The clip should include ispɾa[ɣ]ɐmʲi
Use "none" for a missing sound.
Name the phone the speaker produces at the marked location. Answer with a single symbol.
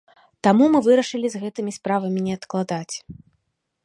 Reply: v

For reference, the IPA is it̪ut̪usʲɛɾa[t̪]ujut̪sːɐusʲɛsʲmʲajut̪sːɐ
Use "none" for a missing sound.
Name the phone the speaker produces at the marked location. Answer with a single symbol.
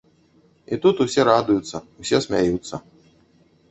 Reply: d̪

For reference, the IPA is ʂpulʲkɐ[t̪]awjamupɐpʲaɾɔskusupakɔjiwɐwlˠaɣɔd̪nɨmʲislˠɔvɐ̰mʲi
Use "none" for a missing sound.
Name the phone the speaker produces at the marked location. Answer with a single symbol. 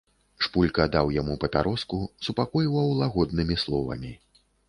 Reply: d̪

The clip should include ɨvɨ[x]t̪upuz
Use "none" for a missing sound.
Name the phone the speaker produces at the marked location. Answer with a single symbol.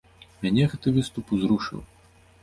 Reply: s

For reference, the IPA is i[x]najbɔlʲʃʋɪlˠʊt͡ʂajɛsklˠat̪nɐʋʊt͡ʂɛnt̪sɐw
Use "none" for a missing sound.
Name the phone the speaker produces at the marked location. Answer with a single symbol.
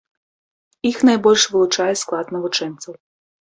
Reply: x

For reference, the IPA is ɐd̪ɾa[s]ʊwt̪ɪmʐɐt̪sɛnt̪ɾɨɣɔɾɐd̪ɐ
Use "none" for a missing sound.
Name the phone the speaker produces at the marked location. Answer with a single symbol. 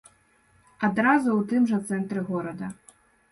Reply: z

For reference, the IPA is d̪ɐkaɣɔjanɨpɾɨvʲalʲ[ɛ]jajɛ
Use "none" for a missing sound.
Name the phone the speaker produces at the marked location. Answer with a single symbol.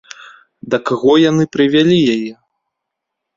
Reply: i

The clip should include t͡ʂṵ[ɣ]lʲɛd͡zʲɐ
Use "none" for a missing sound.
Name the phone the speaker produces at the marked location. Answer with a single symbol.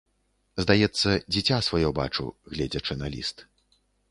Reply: ɣ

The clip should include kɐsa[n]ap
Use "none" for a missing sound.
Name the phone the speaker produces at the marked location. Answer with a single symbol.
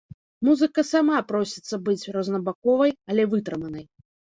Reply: m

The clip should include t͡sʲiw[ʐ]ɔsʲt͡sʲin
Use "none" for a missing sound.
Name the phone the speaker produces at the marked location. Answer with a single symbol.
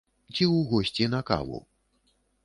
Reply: ɣ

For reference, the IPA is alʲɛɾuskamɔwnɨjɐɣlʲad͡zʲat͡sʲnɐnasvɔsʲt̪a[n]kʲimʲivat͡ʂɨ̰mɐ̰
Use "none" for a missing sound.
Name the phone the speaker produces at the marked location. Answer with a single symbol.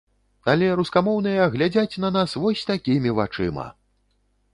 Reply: none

